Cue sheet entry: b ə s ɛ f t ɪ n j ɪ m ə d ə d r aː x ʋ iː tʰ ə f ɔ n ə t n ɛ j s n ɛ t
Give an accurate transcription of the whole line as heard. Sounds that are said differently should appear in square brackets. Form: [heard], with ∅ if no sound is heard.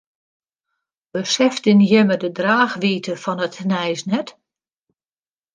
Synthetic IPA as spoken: b ə s ɛ f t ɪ n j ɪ m ə d ə d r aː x ʋ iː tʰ ə f ɔ n ə t n ɛ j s n ɛ t